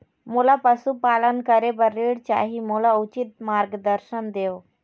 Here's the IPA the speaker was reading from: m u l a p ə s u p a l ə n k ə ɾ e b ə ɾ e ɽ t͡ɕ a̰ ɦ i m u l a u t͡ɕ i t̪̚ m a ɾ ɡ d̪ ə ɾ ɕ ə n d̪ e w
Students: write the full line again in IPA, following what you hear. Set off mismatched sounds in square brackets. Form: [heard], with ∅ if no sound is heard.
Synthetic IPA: m u l a p ə s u p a l ə n k ə ɾ e b ə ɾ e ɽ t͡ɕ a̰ ɦ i m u l a u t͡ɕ i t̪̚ m a ɾ ɡ d̪ ə ɾ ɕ ə n d̪ e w